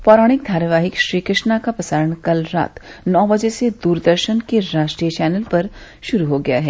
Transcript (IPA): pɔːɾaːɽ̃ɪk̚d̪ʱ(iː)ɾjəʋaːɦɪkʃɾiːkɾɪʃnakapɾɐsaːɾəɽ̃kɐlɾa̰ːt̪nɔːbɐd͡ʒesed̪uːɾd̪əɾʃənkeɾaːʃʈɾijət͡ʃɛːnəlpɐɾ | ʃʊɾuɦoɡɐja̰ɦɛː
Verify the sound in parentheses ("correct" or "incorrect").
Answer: incorrect